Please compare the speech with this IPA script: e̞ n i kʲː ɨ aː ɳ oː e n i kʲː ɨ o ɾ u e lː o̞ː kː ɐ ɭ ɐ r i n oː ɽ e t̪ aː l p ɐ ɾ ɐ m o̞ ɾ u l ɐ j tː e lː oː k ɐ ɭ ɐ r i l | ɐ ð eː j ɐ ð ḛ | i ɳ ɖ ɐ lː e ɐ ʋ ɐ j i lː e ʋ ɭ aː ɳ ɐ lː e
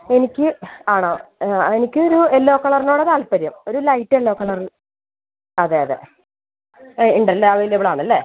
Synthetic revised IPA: e̞ n i kʲː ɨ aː ɳ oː e n i kʲː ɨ o ɾ u e lː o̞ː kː ɐ ɭ ɐ r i n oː ɽ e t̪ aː l p ɐ ɾ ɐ m o̞ ɾ u l ɐ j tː e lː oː k ɐ ɭ ɐ r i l | ɐ ð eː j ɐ ð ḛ | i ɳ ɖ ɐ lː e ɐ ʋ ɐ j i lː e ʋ ɭ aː ɳ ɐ lː e